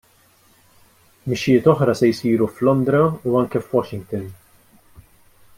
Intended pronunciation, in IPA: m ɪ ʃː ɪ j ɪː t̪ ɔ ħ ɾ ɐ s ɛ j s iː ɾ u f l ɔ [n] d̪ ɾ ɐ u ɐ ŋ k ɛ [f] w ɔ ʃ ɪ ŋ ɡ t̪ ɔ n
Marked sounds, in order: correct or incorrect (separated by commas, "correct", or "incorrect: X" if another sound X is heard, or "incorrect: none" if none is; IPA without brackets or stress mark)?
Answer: correct, correct